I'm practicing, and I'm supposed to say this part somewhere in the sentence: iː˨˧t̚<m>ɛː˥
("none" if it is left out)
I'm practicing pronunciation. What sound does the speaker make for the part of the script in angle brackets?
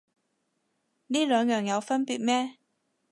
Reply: m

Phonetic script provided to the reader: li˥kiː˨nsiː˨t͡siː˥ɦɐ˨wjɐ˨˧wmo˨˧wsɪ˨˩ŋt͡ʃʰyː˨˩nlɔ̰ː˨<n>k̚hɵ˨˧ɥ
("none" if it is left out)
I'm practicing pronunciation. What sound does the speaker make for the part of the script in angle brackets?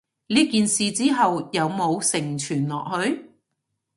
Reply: none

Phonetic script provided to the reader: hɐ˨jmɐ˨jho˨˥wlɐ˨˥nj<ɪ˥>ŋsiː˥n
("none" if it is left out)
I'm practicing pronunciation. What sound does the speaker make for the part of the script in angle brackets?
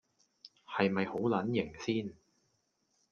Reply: ɪ˨˩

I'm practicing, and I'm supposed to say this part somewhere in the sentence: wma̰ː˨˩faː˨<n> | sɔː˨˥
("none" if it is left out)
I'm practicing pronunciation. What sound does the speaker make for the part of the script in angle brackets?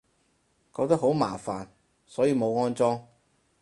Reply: n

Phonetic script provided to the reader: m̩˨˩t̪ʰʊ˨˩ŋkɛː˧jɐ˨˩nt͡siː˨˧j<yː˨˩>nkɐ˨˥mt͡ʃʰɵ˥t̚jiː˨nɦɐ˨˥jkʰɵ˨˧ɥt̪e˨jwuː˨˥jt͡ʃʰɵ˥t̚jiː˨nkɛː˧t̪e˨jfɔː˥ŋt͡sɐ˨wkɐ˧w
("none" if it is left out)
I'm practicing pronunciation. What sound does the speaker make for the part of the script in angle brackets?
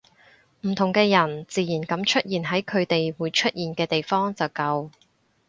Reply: iː˨˩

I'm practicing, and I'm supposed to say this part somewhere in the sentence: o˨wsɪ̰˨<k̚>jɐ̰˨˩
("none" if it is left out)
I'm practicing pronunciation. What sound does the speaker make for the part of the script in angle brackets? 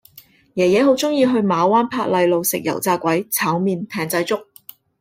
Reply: k̚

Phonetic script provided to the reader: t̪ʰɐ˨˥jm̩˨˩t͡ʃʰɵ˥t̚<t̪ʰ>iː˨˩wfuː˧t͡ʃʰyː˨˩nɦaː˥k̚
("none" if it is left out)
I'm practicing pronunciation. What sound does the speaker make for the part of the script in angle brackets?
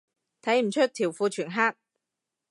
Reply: t̪ʰ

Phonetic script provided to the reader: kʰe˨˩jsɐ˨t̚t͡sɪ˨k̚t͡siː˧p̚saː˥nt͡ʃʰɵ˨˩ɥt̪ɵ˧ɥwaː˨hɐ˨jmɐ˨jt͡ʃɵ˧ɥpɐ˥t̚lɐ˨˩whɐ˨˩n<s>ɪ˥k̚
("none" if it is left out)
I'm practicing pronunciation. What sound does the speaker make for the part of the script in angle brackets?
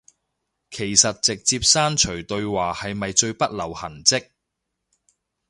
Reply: t͡s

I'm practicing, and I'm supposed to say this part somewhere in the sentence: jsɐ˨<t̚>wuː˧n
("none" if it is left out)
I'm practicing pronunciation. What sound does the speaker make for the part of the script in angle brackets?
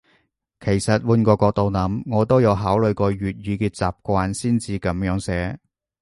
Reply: t̚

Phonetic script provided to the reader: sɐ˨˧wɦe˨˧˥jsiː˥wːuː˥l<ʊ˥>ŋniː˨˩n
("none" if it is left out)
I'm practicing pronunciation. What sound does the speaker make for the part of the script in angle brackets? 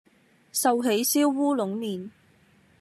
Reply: ʊ˨˥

